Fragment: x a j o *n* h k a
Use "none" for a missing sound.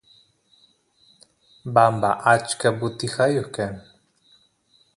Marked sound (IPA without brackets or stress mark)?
none